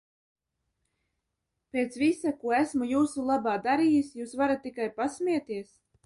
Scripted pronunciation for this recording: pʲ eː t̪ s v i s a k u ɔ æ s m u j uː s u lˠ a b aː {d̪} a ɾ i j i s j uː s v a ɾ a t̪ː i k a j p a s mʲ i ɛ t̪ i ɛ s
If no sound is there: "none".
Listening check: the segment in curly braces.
d̪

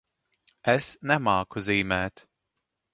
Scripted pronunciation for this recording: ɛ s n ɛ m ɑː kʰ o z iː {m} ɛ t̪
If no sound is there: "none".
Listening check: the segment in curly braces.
m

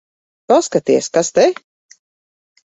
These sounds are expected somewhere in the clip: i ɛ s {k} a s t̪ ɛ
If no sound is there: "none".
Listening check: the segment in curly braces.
k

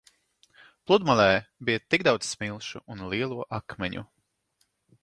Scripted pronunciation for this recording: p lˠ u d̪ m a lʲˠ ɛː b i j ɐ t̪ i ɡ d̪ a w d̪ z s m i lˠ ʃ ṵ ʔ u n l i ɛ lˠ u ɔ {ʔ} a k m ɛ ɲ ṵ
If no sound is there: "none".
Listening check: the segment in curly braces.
ʔ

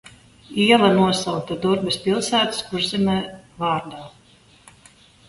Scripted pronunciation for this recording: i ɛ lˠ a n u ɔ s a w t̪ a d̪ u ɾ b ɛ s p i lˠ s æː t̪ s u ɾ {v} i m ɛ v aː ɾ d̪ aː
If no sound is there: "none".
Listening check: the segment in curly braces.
z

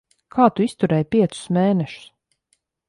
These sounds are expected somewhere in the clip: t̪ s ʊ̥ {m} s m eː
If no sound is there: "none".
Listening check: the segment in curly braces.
none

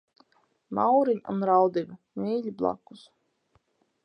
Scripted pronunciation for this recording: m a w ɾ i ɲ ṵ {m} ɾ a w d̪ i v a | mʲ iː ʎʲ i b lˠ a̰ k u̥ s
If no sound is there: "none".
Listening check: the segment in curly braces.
n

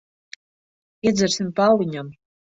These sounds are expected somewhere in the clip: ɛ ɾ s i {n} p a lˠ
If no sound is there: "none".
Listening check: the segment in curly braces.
m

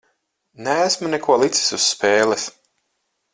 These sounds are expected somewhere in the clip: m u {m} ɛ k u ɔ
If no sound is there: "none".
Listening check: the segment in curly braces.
n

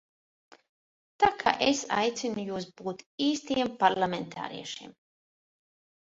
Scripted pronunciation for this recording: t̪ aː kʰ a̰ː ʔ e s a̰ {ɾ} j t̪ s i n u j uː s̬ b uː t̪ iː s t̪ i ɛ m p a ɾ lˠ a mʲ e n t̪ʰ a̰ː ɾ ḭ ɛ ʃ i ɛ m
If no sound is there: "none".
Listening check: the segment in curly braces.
none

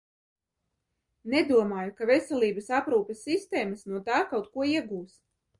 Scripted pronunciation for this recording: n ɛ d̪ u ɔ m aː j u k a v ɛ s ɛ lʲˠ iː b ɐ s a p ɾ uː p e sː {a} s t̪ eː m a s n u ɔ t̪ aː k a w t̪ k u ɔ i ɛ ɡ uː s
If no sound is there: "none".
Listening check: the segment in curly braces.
i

